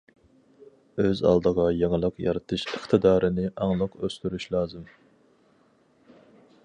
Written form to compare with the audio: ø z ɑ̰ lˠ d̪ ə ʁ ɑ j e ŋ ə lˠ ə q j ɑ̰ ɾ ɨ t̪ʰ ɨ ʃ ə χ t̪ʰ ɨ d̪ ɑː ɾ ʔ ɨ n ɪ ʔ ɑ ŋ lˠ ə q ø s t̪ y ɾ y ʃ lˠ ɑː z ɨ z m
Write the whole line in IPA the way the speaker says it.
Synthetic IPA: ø z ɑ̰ lˠ d̪ ə ʁ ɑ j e ŋ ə lˠ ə q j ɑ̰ ɾ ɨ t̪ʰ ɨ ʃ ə χ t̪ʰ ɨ d̪ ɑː ɾ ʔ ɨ n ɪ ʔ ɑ ŋ lˠ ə q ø s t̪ y ɾ y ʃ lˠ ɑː z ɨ m